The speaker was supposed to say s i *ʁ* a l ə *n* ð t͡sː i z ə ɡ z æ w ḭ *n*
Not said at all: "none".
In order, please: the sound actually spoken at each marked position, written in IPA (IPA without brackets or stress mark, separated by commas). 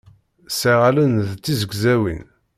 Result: ʁ, n, n